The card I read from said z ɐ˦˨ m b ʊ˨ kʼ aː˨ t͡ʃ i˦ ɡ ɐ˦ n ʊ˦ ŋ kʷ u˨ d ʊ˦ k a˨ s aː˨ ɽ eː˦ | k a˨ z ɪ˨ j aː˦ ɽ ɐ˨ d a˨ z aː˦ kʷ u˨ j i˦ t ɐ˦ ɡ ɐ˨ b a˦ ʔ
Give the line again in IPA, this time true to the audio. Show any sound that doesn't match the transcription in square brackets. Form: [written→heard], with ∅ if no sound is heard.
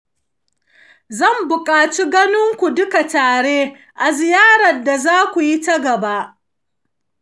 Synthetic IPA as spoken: z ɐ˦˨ m b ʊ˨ kʼ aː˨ t͡ʃ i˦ ɡ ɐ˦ n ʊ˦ ŋ kʷ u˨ d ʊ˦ k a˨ [s→t] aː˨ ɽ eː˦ | [k→ʔ] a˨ z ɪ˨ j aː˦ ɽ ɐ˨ d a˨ z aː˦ kʷ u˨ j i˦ t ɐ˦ ɡ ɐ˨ b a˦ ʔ